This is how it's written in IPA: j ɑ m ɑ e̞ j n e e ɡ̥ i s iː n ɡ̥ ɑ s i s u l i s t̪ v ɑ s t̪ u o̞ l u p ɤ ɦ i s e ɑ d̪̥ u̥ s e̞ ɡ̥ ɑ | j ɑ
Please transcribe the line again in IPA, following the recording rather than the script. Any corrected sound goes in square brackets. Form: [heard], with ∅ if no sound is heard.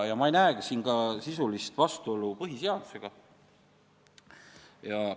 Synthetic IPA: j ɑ m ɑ e̞ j n [æ] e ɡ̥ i s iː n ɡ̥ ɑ s i s u l i s t̪ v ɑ s t̪ u o̞ l u p ɤ ɦ i s e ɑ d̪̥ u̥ s e̞ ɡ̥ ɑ | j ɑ